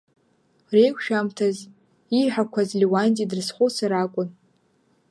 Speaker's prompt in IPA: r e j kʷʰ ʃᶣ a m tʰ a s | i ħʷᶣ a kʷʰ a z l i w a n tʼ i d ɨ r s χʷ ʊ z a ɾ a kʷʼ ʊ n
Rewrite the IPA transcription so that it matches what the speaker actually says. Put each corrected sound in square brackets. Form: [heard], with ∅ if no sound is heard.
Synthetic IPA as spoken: r e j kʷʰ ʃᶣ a m tʰ a [z] | i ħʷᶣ a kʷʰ a z l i w a n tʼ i d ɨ r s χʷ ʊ [s] a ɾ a kʷʼ ʊ n